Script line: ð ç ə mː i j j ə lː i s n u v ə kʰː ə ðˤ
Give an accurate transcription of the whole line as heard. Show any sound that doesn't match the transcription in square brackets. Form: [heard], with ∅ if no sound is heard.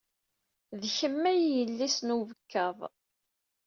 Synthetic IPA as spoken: ð ç ə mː [æ] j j ə lː i s n u v ə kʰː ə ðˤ